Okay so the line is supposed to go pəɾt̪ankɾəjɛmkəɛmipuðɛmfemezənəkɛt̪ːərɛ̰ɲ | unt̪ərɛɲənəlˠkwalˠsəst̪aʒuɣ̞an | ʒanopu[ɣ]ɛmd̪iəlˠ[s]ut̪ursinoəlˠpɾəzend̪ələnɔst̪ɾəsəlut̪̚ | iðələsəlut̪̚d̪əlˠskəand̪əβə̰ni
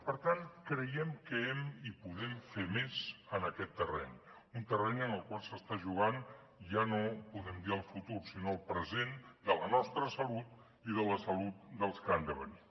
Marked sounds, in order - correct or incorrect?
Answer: incorrect: ð, incorrect: f

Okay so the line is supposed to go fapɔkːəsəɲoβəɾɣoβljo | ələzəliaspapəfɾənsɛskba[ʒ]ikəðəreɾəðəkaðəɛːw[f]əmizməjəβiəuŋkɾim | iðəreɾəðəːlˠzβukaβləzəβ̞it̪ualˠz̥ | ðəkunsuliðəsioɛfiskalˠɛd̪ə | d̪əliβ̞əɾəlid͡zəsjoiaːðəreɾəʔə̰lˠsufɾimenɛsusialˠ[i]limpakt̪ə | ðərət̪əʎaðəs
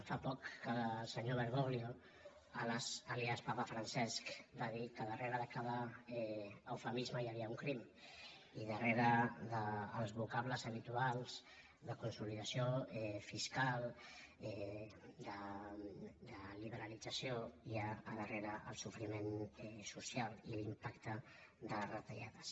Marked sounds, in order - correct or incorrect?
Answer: incorrect: ð, correct, correct

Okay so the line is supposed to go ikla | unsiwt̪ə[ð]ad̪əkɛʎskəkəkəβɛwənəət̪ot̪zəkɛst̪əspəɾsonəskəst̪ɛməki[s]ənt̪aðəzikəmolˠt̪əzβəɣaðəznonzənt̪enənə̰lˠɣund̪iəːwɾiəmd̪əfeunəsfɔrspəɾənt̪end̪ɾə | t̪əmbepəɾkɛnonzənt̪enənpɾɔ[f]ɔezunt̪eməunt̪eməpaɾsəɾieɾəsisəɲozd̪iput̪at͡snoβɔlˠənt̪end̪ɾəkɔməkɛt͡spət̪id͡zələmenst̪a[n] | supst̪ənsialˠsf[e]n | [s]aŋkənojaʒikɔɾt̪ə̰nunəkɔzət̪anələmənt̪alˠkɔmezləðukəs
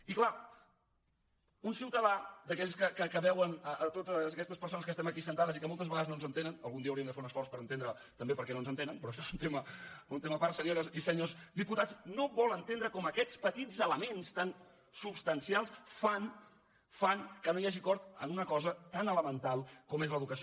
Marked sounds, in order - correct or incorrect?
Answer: correct, correct, incorrect: ʃ, correct, incorrect: a, incorrect: f

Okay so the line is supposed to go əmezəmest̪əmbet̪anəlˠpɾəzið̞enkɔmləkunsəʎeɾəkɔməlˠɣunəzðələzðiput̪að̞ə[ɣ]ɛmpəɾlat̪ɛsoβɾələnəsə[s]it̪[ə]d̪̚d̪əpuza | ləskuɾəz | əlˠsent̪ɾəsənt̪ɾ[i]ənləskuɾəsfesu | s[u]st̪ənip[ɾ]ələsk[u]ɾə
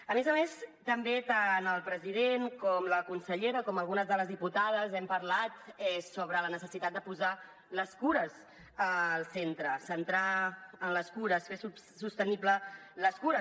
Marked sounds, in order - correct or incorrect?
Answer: incorrect: z, correct, incorrect: a, incorrect: a, correct, incorrect: l, correct

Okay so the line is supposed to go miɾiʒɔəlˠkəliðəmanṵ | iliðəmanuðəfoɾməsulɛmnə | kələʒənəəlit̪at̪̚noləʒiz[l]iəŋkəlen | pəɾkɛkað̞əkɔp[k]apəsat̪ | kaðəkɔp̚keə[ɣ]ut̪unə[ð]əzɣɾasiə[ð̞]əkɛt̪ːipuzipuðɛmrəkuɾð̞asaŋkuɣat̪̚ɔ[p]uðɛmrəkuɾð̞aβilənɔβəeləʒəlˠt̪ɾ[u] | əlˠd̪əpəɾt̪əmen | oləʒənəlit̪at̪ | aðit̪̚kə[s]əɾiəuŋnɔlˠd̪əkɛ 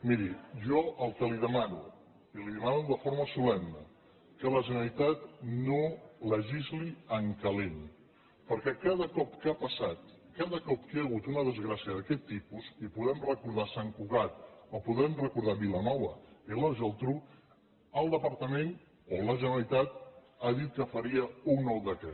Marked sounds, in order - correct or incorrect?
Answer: correct, correct, correct, correct, correct, correct, correct, incorrect: f

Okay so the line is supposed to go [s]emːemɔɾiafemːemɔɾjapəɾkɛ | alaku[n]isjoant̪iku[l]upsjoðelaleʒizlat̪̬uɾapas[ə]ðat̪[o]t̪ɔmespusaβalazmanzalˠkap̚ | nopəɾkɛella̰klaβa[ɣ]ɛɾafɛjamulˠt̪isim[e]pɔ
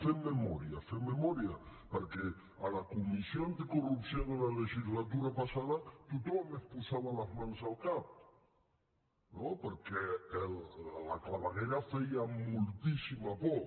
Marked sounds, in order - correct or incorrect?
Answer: incorrect: f, incorrect: m, incorrect: r, incorrect: a, incorrect: u, correct, incorrect: a

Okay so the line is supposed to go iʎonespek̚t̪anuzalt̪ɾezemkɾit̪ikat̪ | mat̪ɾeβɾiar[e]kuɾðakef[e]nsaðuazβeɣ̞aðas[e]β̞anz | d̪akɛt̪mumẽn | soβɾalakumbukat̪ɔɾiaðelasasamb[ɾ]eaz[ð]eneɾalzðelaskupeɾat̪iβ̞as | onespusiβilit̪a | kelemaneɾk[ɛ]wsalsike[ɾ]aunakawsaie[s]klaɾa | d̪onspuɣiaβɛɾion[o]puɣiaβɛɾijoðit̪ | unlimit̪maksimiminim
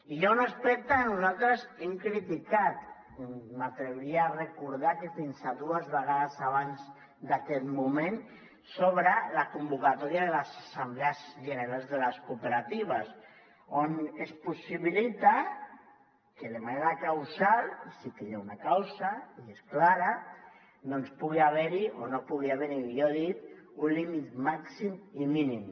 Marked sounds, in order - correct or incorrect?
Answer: correct, incorrect: i, incorrect: a, incorrect: l, incorrect: ʒ, incorrect: a, incorrect: ʎ, correct, correct

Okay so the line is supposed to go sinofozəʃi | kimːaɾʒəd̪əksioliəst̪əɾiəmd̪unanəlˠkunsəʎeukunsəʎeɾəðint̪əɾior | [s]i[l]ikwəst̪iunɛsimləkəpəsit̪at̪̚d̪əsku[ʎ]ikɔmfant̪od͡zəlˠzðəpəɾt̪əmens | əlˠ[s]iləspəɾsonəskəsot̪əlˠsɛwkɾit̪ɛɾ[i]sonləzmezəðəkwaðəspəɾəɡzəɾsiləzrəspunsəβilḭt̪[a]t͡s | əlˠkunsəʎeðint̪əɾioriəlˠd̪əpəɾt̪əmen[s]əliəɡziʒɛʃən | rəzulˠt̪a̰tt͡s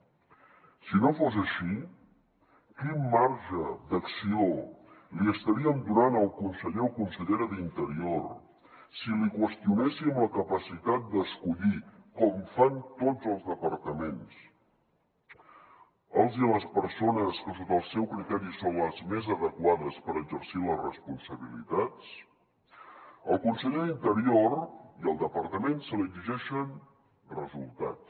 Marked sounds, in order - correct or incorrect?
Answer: correct, correct, correct, incorrect: z, correct, correct, correct

